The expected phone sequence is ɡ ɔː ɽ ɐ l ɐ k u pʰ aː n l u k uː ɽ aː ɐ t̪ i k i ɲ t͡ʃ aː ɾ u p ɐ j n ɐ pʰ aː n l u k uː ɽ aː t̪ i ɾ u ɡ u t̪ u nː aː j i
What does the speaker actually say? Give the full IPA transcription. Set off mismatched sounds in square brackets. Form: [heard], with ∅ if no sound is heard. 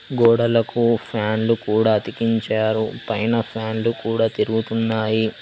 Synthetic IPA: ɡ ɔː ɽ ɐ l ɐ k u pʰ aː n l u k uː ɽ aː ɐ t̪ i k i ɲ t͡ʃ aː ɾ u p ɐ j n ɐ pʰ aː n l u k uː ɽ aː t̪ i ɾ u ɡ u t̪ u nː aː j i